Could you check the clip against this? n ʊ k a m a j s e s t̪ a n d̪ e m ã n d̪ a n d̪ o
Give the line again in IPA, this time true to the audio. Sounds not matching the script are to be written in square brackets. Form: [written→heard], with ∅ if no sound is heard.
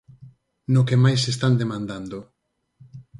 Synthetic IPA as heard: n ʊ k [a→e] m a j s e s t̪ a n d̪ e m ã n d̪ a n d̪ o